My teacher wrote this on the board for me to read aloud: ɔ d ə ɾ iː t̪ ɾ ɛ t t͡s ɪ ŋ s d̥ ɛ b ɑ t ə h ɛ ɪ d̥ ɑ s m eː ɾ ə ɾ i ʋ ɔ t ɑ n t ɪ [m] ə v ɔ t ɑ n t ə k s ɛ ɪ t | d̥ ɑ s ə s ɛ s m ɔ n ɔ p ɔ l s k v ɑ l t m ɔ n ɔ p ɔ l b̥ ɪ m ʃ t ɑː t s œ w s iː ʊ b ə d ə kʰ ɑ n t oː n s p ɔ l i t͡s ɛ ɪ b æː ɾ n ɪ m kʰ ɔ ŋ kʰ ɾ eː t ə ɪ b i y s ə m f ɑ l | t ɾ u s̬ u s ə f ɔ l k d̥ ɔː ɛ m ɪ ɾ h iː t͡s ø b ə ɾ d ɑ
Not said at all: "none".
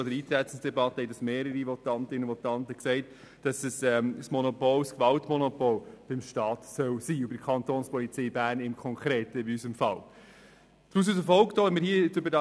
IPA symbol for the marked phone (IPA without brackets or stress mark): n